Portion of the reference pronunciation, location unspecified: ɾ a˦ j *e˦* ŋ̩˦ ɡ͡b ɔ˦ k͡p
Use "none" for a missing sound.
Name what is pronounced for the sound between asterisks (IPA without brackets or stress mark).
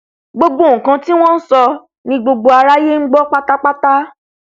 e˦